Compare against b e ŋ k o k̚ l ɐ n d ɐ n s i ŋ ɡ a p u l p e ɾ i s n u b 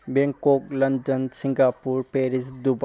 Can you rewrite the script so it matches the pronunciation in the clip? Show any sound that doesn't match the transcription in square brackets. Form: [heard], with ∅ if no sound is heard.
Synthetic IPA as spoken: b e ŋ k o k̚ l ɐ n d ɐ n s i ŋ ɡ a p u [ɾ] p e ɾ i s [d] u b